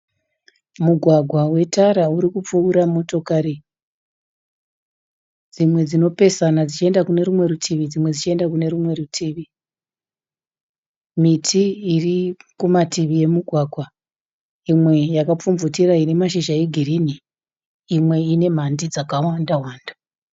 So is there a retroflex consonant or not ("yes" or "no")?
no